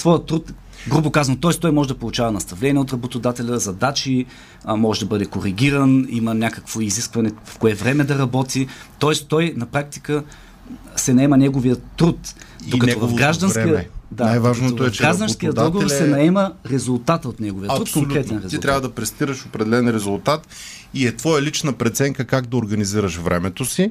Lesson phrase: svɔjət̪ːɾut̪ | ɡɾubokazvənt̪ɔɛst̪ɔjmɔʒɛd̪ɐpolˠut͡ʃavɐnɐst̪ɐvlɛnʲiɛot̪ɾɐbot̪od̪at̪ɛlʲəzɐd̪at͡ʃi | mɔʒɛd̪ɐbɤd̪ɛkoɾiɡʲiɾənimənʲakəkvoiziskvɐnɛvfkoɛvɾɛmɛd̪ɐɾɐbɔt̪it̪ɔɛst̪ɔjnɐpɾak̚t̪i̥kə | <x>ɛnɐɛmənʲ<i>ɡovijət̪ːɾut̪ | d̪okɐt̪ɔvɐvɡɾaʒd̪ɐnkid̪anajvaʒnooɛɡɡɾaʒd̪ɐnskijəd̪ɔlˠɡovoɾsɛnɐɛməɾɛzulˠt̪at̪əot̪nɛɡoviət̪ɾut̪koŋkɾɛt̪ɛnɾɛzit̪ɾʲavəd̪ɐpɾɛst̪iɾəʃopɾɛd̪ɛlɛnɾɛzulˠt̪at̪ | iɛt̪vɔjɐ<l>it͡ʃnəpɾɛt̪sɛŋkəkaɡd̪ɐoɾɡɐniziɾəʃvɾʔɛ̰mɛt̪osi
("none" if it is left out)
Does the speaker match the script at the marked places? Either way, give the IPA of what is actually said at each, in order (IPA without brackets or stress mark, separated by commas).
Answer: s, ɛ, l